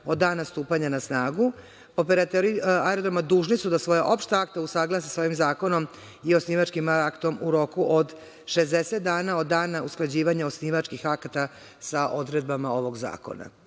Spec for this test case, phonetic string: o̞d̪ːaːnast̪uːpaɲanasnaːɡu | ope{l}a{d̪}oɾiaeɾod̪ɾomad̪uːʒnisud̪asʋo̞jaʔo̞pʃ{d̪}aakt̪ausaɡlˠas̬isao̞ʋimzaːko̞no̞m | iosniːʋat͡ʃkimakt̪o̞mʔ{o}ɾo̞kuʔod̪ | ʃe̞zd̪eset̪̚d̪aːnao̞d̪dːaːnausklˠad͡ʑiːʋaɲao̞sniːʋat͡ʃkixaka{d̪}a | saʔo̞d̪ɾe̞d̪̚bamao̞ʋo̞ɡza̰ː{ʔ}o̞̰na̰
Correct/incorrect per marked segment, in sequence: incorrect: ɾ, incorrect: t̪, incorrect: t̪, incorrect: u, incorrect: t̪, incorrect: k

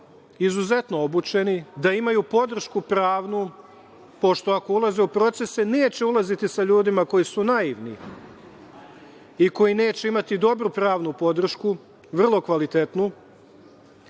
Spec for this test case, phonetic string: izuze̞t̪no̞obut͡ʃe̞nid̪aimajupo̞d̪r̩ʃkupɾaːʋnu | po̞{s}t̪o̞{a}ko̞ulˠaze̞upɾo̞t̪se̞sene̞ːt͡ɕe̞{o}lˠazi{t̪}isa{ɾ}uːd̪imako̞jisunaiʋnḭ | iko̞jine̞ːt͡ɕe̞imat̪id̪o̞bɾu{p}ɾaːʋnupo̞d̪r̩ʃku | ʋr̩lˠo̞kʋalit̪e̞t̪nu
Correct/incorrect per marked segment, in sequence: incorrect: ʃ, correct, incorrect: u, correct, incorrect: ʎ, correct

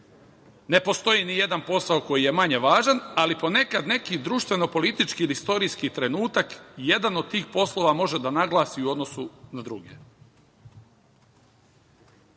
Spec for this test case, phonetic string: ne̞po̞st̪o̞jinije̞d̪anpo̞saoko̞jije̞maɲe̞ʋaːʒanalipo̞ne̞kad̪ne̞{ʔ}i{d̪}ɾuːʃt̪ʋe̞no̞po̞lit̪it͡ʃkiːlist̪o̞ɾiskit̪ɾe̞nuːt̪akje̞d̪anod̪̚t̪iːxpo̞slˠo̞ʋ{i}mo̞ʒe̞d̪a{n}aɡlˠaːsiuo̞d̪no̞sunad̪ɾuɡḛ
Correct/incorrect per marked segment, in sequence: incorrect: k, correct, incorrect: a, correct

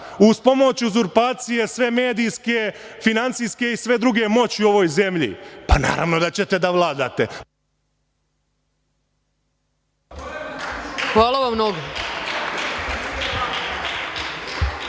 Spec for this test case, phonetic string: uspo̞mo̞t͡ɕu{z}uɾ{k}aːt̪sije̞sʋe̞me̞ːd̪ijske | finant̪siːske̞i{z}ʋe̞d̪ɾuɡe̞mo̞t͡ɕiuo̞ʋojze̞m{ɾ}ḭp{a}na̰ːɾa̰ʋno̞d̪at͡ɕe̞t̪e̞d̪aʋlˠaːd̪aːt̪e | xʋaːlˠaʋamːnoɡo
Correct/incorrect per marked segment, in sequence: correct, incorrect: p, incorrect: s, incorrect: ʎ, correct

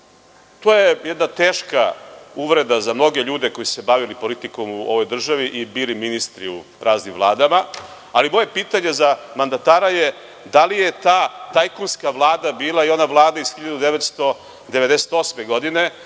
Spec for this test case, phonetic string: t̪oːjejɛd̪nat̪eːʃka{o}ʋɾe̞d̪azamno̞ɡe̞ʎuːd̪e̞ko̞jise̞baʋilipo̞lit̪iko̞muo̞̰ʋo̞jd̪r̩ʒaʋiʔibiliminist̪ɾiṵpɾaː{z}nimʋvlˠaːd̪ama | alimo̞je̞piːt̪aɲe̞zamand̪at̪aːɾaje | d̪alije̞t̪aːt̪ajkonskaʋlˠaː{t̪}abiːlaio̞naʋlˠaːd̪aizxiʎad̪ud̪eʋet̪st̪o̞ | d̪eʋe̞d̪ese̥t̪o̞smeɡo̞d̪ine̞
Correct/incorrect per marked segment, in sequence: incorrect: u, correct, incorrect: d̪

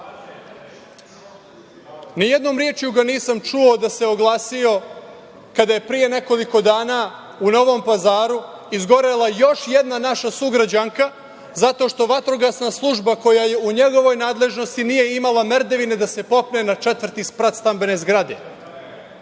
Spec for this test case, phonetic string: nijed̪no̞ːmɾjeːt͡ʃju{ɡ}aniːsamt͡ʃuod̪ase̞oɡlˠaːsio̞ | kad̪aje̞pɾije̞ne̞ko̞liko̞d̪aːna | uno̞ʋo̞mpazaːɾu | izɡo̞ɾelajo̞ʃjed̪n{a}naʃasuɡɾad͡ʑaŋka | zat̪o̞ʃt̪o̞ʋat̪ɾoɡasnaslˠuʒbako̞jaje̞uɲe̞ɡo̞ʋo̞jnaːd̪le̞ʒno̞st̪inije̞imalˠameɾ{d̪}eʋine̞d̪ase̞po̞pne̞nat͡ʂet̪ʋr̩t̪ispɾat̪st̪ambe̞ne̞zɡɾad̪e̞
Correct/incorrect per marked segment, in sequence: correct, correct, correct

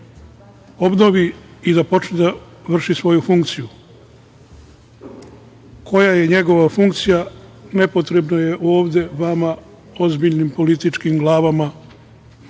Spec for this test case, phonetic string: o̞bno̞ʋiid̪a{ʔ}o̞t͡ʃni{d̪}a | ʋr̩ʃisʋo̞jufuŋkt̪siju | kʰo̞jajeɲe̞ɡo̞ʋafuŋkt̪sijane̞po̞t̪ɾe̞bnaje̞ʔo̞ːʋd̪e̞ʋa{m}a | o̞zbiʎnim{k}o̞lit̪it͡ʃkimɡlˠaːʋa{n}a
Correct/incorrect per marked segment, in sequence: incorrect: p, correct, correct, incorrect: p, incorrect: m

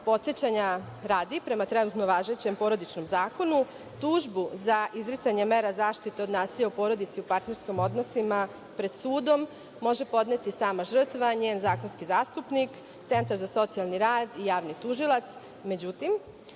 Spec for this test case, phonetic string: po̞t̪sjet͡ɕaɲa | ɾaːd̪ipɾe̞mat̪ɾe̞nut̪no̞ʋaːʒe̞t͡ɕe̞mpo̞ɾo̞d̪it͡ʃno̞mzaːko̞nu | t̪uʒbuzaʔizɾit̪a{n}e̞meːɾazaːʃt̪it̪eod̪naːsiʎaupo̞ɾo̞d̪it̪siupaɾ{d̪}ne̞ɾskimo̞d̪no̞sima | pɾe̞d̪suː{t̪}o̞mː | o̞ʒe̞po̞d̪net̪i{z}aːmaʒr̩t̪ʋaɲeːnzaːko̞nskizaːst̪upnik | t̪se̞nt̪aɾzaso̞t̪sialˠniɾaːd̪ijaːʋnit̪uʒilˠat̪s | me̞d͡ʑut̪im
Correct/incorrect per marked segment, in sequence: incorrect: ɲ, incorrect: t̪, incorrect: d̪, incorrect: s

